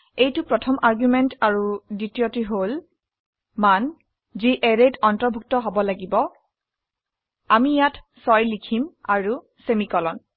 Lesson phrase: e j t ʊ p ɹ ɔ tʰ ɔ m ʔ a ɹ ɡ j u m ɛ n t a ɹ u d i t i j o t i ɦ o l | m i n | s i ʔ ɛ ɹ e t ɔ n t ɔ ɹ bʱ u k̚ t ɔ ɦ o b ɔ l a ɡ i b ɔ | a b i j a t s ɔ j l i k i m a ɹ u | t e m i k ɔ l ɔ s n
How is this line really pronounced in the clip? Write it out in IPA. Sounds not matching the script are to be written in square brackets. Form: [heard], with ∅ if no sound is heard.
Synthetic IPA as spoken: e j t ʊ p ɹ ɔ tʰ ɔ m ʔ a ɹ ɡ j u m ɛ n t a ɹ u d i t i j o t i ɦ o l | m [a] n | [z] i ʔ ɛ ɹ e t ɔ n t ɔ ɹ bʱ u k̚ t ɔ ɦ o b ɔ l a ɡ i b ɔ | a [m] i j a t s ɔ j l i [kʰ] i m a ɹ u | [s] e m i k ɔ l ɔ [∅] n